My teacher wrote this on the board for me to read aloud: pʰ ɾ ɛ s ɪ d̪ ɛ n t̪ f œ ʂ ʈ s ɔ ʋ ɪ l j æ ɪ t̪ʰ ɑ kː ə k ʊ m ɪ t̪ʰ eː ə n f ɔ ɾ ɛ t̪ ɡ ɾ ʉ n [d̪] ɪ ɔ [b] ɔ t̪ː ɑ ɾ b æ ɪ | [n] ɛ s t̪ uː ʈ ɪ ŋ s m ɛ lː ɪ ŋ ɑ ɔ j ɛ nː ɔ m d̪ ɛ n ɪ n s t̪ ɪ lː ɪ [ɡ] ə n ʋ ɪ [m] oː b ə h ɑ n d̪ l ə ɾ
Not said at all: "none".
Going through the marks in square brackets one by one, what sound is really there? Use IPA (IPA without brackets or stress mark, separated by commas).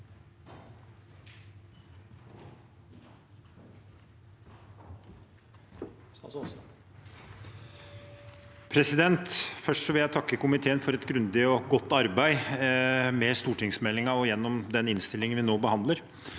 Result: d̪, ɡ, m, ŋ, n